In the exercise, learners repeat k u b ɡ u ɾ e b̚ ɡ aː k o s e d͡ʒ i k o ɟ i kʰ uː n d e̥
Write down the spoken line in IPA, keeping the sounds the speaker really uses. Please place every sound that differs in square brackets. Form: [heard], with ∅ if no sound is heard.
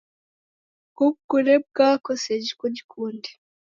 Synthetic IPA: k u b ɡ u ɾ e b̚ ɡ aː k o s e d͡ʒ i k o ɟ i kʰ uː n d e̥

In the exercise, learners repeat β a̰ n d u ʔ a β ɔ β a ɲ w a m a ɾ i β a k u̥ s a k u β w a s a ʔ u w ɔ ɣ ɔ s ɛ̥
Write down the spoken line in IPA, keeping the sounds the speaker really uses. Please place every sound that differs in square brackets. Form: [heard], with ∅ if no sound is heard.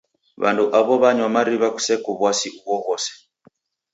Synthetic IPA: β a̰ n d u ʔ a β ɔ β a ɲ w a m a ɾ i β a k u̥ s [ɛ] k u β w a s [i] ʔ u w ɔ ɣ ɔ s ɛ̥

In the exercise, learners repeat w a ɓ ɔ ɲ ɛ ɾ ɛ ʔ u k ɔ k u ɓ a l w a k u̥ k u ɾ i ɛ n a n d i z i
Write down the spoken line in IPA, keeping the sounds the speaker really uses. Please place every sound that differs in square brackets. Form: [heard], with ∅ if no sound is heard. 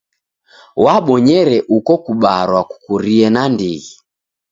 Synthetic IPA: w a ɓ ɔ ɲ ɛ ɾ ɛ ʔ u k ɔ k u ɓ a [ɾ] w a k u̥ k u ɾ i ɛ n a n d i [ɣ] i

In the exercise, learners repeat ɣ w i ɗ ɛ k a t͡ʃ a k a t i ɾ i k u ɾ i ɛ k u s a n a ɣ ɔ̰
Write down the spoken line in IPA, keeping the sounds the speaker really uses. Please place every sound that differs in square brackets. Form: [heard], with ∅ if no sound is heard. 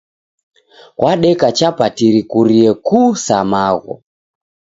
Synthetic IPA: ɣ w [a] ɗ ɛ k a t͡ʃ a [p] a t i ɾ i k u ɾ i ɛ k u s a [m] a ɣ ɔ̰

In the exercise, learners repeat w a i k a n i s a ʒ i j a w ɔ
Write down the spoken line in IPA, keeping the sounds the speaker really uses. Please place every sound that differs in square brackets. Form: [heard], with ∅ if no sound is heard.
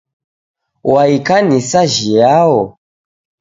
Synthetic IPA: w a i k a n i s a ʒ i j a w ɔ

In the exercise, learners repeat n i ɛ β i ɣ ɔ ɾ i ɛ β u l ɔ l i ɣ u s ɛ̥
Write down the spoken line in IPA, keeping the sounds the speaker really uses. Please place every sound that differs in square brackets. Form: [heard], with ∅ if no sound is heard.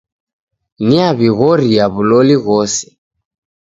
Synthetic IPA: n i [a] β i ɣ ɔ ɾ i [a] β u l ɔ l i ɣ [ɔ] s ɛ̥

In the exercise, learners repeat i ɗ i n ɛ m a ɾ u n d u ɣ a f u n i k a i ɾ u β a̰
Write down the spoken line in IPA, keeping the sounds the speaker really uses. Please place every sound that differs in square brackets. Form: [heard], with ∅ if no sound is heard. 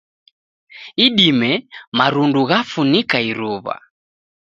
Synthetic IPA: i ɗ i [m] ɛ m a ɾ u n d u ɣ a f u n i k a i ɾ u β a̰

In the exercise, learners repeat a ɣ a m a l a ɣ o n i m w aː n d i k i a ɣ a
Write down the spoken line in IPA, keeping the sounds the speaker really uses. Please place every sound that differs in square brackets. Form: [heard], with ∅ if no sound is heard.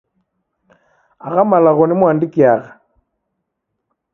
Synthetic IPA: a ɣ a m a l a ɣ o n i m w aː n d i k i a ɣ a

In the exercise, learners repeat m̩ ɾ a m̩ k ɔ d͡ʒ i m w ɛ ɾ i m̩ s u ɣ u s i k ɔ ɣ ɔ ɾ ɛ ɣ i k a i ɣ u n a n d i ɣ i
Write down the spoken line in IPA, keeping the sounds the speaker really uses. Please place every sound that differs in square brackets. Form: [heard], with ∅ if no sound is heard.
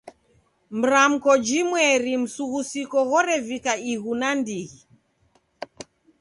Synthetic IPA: m̩ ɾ a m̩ k ɔ d͡ʒ i m w ɛ ɾ i m̩ s u ɣ u s i k ɔ ɣ ɔ ɾ ɛ [v] i k a i ɣ u n a n d i ɣ i

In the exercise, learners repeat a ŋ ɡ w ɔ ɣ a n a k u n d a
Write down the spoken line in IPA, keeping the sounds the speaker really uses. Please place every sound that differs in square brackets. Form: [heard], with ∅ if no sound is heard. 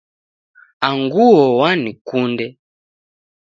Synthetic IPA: a ŋ ɡ [u] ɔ [w] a n [i] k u n d [ɛ]

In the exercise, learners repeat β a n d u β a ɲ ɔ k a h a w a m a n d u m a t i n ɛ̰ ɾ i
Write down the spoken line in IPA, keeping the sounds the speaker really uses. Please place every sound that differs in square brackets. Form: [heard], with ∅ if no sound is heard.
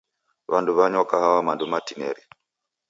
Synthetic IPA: β a n d u β a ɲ ɔ k a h a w a m a n d u m a t i n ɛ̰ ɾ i

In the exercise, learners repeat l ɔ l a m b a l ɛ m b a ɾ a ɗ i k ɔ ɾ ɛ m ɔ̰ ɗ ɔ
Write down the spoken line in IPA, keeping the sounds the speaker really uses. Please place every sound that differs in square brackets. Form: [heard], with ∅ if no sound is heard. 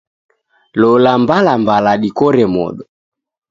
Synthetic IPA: l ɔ l a m b a l [a] m b a [l] a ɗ i k ɔ ɾ ɛ m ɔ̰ ɗ ɔ

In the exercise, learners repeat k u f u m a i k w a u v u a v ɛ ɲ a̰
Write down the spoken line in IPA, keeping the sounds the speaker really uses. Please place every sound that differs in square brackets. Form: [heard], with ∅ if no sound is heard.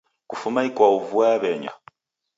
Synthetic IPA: k u f u m a i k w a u v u a [β] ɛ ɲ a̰

